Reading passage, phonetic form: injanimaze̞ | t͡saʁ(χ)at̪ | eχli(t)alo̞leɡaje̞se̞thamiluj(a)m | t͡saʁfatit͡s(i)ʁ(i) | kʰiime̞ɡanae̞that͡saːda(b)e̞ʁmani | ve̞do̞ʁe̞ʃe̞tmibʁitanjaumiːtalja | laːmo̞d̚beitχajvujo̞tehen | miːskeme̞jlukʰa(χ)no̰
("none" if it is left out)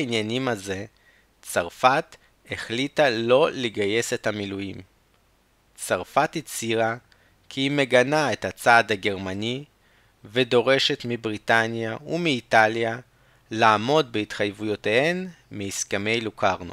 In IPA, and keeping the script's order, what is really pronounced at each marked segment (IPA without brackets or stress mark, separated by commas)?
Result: f, t, i, i, a, ɡ, ʁ